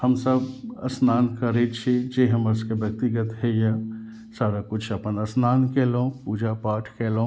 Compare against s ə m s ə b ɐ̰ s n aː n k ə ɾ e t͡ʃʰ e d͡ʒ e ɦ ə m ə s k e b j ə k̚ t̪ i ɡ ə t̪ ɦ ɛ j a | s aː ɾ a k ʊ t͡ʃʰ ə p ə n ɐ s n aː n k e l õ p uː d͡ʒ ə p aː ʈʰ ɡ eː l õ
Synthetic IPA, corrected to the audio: h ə m s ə b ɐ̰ s n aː n k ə ɾ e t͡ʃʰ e d͡ʒ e ɦ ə m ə s k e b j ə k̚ t̪ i ɡ ə t̪ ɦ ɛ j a | s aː ɾ a k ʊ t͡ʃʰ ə p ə n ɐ s n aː n k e l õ p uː d͡ʒ a p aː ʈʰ k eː l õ